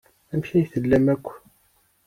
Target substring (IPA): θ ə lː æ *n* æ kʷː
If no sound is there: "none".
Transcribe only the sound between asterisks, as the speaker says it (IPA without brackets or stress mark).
m